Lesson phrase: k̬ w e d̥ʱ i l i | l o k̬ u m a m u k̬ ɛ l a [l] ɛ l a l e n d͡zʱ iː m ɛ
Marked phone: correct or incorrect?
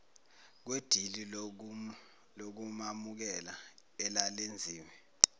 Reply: incorrect